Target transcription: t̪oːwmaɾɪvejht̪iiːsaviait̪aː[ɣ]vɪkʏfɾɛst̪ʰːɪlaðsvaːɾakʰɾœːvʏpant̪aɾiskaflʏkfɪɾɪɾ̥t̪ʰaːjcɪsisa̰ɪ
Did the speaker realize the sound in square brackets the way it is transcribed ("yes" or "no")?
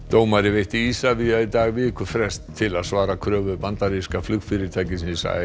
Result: yes